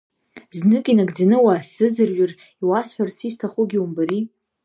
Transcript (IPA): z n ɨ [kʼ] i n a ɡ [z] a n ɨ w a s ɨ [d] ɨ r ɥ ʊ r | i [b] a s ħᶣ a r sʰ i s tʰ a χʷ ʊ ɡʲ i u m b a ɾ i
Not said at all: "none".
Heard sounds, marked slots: kʼ, d͡z, d͡z, w

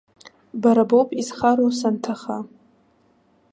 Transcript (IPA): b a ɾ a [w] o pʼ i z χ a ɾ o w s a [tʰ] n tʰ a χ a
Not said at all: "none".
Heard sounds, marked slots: b, none

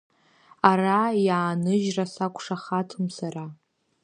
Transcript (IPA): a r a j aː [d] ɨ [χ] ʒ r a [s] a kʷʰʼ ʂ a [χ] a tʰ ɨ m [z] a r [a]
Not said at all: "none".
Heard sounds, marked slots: n, none, s, χ, s, a

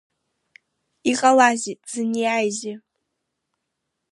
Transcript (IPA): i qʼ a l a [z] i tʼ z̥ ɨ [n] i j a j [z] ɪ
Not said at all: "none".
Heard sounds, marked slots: z, n, z

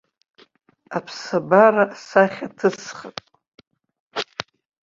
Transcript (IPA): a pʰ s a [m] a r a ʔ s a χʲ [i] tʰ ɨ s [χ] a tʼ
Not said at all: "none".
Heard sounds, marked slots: b, a, χ

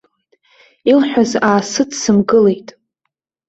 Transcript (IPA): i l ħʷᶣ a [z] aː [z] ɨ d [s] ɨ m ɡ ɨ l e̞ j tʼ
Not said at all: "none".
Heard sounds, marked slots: z, s, s

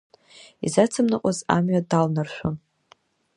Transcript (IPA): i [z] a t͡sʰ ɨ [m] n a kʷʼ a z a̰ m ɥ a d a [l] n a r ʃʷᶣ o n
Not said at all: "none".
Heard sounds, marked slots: z, m, l

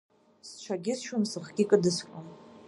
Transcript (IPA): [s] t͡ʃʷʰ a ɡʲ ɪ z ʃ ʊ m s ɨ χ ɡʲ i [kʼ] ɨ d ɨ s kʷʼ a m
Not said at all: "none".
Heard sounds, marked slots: s, kʼ

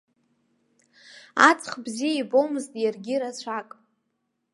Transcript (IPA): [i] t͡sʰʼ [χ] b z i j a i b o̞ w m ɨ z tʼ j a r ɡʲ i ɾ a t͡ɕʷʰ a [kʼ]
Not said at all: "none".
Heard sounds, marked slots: a, χ, kʼ

